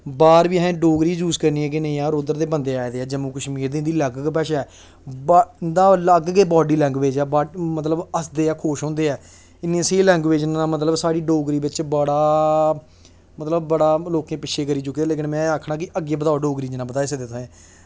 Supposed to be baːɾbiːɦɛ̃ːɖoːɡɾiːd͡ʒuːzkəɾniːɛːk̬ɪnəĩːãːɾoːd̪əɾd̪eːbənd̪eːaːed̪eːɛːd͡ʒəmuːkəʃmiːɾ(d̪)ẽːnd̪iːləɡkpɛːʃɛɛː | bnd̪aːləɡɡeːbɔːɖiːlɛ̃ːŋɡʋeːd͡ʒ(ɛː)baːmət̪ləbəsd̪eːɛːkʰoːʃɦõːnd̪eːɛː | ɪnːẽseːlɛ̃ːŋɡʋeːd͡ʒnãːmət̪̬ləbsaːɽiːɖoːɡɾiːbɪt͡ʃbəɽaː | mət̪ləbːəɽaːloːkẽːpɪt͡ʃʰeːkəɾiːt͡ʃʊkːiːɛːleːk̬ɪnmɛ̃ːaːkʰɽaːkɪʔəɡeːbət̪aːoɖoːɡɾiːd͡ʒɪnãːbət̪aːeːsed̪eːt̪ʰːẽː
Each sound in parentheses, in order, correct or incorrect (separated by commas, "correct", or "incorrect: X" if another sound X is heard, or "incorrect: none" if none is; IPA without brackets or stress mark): correct, correct